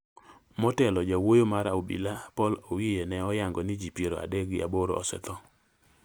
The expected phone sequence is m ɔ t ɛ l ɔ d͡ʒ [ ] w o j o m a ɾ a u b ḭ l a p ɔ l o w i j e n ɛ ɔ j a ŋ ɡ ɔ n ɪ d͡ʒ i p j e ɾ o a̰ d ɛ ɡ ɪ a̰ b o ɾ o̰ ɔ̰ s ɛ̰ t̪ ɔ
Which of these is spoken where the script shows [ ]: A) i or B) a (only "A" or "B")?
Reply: B